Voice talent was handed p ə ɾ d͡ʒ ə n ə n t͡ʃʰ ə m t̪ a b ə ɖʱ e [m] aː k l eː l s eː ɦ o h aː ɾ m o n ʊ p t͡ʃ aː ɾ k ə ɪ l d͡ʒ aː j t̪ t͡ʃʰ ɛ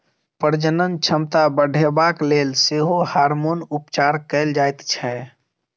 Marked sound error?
yes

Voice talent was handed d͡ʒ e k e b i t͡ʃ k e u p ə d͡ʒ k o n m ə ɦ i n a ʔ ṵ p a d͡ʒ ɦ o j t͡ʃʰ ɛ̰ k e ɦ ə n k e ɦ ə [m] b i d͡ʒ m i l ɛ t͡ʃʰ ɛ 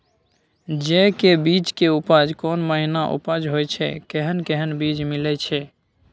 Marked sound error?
yes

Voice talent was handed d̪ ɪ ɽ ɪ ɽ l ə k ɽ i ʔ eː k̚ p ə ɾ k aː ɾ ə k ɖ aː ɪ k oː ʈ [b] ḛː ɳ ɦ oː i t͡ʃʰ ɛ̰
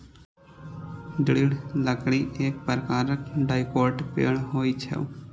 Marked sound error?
yes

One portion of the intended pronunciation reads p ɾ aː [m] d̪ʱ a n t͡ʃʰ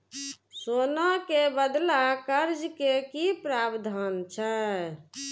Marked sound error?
yes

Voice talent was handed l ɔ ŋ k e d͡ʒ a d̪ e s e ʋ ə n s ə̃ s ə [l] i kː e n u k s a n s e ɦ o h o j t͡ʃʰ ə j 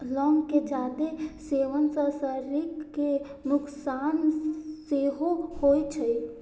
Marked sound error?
yes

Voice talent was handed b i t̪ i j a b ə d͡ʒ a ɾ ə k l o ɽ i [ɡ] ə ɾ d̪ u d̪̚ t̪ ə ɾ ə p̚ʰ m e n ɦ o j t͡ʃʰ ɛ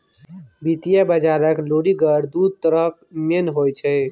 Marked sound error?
no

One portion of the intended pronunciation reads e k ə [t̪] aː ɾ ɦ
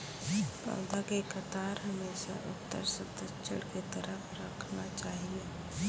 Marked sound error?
no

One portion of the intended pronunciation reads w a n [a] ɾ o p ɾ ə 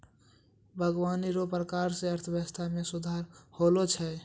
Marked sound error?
yes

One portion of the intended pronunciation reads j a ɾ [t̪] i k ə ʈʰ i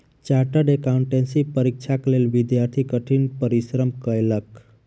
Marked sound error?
yes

